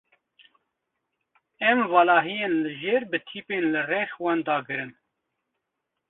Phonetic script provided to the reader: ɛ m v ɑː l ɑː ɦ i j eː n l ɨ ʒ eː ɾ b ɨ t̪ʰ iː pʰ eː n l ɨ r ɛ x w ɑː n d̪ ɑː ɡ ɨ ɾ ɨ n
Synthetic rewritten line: ɛ m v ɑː l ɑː ɦ i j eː n l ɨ ʒ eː ɾ b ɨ t̪ʰ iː p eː n l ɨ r ɛ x w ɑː n d̪ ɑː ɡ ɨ ɾ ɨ n